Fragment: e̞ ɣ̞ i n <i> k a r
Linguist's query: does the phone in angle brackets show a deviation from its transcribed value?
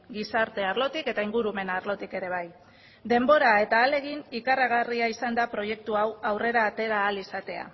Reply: no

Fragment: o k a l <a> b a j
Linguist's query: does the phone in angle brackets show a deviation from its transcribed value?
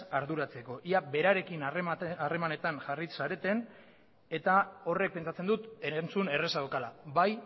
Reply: no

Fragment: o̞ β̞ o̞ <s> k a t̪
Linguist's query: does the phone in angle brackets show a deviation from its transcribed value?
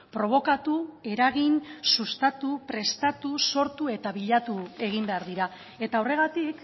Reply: yes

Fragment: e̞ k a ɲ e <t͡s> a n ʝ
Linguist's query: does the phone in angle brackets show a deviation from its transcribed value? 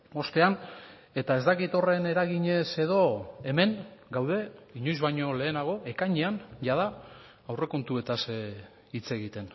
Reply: yes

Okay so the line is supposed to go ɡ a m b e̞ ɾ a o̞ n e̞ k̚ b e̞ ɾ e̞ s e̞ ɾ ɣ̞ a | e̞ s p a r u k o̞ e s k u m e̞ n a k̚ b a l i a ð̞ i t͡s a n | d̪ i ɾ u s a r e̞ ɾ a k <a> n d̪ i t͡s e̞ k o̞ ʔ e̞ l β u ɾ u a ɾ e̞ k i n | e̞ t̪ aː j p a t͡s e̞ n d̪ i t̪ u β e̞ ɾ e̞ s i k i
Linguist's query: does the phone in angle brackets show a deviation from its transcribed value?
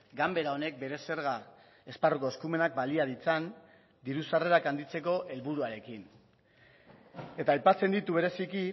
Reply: no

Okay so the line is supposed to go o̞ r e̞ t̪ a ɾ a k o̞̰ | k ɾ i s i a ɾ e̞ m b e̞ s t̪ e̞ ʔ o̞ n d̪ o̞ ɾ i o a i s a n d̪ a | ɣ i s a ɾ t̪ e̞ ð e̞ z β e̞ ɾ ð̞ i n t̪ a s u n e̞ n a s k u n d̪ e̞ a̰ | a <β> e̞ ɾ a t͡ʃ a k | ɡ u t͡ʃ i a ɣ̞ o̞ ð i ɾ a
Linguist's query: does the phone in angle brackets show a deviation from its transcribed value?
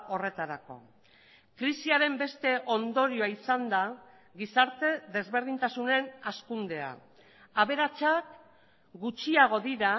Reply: no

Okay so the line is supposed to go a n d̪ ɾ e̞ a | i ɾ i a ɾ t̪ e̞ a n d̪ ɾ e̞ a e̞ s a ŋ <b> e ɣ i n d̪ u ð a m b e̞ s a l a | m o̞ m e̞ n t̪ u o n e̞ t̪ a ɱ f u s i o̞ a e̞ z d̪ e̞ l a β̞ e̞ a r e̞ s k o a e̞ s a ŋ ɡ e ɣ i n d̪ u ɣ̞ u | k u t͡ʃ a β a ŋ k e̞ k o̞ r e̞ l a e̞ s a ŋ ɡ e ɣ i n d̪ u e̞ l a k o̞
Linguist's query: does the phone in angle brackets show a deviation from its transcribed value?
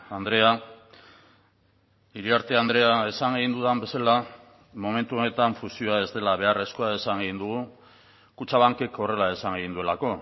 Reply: yes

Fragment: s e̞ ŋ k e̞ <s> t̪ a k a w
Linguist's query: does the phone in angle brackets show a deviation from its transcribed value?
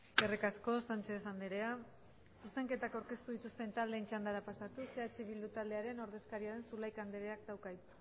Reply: yes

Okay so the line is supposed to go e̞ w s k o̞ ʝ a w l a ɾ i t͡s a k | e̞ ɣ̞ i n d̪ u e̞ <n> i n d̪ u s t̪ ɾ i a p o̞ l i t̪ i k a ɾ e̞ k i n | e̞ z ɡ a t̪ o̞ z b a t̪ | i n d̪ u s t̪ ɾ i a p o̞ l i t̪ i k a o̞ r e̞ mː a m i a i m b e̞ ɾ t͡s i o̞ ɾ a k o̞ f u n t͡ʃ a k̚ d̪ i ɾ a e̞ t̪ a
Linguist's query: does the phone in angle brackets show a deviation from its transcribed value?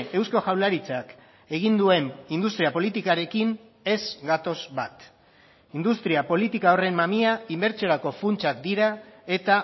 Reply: no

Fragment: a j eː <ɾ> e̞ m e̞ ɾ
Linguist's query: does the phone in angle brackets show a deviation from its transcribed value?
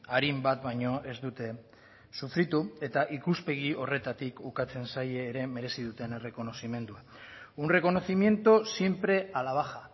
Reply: no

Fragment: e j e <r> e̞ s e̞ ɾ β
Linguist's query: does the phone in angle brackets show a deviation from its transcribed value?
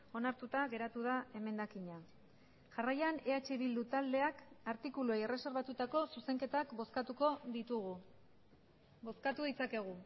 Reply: no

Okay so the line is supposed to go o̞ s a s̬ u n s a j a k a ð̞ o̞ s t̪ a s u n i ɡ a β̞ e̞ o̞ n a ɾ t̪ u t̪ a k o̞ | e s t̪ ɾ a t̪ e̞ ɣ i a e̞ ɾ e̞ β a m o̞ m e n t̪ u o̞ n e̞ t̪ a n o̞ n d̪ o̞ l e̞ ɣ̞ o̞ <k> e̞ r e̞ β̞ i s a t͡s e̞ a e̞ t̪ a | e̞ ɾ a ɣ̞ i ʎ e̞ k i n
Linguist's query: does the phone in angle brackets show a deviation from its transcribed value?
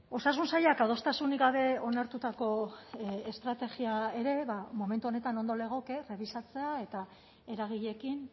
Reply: no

